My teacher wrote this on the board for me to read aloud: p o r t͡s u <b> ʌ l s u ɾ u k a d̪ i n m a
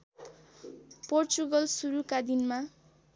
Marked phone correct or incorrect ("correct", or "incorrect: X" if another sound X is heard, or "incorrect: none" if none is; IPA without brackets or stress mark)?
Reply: incorrect: ɡ